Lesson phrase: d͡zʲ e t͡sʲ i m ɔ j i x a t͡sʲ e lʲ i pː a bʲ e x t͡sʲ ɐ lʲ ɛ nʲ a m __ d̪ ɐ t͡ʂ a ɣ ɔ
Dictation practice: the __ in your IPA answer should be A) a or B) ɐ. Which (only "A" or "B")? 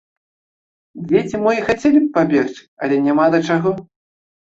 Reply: A